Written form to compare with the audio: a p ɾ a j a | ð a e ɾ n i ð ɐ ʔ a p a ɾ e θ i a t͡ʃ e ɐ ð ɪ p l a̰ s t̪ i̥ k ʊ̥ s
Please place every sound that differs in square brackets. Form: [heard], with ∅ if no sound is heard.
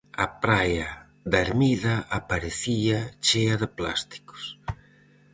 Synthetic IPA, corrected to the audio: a p ɾ a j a | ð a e ɾ [m] i ð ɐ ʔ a p a ɾ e θ i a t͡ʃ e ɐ ð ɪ p l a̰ s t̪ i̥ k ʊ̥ s